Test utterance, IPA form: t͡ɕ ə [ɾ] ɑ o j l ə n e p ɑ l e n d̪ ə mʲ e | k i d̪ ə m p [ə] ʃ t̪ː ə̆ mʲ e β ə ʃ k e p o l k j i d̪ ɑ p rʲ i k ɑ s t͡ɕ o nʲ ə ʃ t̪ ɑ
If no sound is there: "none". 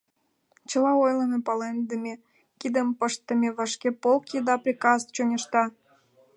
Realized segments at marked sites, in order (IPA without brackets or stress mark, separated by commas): l, ə